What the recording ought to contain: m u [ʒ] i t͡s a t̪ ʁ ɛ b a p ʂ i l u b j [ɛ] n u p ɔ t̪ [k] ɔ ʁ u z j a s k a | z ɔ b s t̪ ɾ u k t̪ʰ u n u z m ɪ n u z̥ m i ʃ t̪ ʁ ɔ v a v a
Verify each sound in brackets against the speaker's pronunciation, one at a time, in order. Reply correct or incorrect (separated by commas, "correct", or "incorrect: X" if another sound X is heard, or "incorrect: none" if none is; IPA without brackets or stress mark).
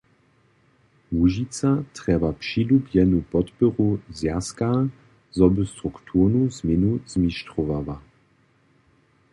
correct, correct, incorrect: p